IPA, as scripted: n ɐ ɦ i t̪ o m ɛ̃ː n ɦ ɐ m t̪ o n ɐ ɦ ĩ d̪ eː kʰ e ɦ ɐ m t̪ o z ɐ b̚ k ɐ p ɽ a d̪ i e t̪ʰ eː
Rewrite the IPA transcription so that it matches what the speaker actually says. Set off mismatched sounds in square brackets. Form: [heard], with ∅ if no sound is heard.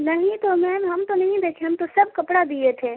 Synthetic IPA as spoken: n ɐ ɦ [ĩ] t̪ o m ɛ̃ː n ɦ ɐ m t̪ o n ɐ ɦ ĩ d̪ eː kʰ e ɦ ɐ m t̪ o [s] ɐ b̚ k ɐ p ɽ a d̪ i e t̪ʰ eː